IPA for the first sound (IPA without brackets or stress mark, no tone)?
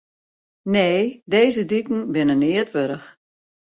n